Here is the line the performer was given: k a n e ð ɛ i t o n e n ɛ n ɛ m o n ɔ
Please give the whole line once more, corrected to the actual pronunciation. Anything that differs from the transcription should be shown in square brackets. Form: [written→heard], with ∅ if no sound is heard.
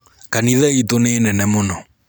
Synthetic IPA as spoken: k a n [e→i] ð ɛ i t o n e n ɛ n ɛ m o n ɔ